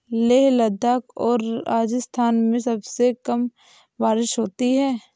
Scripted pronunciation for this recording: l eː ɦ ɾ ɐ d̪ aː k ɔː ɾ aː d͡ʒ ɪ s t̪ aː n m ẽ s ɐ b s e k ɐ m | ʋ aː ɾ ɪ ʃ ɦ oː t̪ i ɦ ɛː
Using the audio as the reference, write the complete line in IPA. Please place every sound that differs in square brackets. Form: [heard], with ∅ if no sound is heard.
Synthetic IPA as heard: l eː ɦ [l] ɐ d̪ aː k ɔː ɾ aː d͡ʒ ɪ s [t̪ʰ] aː n m ẽ s ɐ b s e k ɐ m | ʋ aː ɾ ɪ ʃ ɦ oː t̪ i ɦ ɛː